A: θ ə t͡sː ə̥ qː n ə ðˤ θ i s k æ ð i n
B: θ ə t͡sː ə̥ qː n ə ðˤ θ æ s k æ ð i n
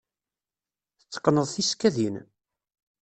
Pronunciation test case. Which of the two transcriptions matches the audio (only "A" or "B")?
A